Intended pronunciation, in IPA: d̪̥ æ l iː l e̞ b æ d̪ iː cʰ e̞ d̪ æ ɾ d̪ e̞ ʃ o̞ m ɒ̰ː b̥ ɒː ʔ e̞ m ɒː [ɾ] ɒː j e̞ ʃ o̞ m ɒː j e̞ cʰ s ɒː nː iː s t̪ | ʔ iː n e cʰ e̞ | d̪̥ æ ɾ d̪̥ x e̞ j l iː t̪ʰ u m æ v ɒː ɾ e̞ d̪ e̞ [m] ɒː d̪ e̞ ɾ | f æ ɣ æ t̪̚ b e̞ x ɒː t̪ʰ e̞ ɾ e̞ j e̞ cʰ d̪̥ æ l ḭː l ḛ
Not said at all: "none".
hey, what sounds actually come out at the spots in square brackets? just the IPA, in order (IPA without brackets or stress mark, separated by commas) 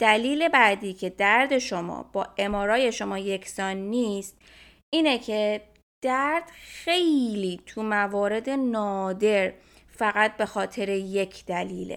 ɾ, n